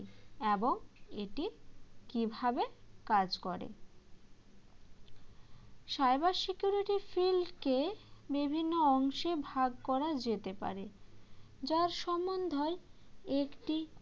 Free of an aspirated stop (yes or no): yes